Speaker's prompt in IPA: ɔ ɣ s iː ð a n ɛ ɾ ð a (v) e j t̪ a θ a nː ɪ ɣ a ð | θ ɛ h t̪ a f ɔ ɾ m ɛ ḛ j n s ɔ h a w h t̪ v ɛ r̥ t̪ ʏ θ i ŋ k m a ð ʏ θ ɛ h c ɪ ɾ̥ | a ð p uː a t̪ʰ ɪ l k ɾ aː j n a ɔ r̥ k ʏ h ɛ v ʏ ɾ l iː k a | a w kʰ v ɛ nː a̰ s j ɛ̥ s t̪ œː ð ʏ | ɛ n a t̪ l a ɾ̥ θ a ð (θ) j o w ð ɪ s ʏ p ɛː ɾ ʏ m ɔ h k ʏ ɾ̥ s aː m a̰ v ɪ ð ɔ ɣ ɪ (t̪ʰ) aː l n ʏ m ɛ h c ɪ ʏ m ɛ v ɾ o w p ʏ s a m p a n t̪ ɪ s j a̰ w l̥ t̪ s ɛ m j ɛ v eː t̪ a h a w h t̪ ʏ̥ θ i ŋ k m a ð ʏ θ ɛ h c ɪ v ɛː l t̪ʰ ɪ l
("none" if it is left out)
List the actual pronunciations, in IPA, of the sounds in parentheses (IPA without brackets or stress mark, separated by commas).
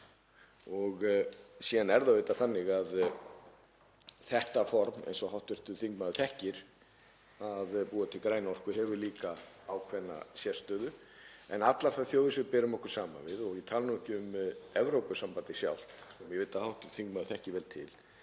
v, θ, t̪ʰ